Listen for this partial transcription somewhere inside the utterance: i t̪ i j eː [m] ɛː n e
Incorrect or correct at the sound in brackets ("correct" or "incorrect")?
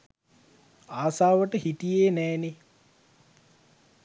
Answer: incorrect